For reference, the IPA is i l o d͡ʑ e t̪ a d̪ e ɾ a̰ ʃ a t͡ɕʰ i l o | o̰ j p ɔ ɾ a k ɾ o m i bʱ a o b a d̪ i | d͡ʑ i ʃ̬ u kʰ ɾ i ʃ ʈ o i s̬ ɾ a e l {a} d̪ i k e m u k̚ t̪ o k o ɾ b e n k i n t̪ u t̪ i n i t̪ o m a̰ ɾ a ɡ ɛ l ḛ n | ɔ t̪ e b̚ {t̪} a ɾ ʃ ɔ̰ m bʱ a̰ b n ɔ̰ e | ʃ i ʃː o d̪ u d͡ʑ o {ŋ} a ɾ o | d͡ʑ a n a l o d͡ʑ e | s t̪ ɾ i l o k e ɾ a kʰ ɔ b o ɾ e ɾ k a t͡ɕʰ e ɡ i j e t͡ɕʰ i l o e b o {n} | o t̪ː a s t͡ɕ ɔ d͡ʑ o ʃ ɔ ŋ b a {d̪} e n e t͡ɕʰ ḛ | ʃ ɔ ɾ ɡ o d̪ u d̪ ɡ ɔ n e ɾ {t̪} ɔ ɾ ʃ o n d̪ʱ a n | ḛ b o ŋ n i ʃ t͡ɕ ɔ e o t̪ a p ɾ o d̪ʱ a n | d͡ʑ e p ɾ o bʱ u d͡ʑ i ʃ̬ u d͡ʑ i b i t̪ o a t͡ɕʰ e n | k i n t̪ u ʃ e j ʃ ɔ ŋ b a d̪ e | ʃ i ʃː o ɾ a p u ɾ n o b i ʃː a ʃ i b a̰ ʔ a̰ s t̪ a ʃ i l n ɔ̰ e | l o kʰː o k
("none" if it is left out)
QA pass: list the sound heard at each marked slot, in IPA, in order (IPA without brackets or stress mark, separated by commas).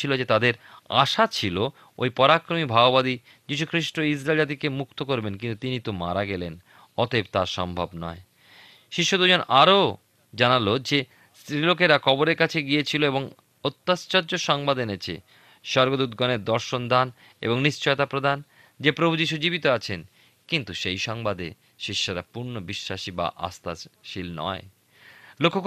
a, t̪, n, ŋ, d̪, d̪